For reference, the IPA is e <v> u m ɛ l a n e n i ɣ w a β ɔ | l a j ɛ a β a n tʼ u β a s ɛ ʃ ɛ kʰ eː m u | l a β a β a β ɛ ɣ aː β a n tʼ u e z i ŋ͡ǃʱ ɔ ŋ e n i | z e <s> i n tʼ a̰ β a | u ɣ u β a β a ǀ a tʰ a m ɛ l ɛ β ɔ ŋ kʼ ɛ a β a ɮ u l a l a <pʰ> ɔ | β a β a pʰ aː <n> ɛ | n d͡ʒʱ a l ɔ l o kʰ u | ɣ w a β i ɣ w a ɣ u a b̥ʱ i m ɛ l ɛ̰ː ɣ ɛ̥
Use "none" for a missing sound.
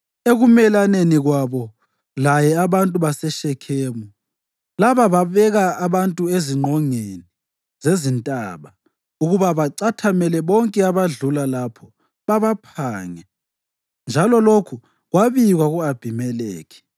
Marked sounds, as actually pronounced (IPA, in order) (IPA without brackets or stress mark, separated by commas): ɣ, z, pʰ, ŋ